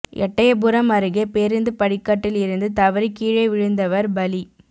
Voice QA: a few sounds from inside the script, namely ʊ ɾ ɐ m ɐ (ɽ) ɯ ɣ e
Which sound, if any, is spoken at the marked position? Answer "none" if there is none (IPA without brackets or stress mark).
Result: ɾ